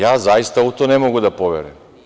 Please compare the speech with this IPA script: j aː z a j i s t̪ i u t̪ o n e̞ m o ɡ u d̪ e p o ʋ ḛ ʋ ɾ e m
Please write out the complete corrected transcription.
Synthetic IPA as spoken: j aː z a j i s t̪ a u t̪ o n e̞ m o ɡ u d̪ a p o ʋ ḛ ɾ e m